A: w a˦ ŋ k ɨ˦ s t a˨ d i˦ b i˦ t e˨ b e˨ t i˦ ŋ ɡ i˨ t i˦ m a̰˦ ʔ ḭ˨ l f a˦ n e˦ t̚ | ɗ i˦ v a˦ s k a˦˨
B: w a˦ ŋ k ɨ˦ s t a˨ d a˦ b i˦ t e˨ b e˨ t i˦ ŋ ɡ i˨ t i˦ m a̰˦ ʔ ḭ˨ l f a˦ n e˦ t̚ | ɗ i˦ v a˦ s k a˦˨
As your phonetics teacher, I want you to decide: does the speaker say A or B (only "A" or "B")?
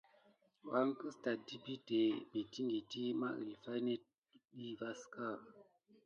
A